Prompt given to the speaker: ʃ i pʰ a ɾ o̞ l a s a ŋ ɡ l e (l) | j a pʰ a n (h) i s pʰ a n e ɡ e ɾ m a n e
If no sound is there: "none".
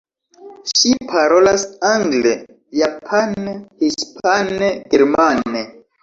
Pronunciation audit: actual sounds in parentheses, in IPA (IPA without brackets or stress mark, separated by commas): none, h